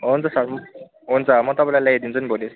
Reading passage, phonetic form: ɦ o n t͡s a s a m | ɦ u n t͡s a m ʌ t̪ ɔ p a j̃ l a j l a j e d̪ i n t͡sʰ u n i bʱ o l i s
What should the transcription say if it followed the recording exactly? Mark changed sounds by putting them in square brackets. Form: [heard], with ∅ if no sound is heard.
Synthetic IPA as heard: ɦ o n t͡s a s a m | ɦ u n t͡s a m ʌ t̪ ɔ p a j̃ l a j l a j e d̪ i n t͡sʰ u n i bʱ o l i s